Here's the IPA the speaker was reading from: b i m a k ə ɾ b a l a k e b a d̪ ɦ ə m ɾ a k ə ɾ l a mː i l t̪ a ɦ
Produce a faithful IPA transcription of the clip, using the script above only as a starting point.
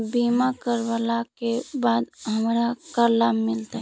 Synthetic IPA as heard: b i m a k ə ɾ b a l a k e b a d̪ ɦ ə m ɾ a k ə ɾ l a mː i l t̪ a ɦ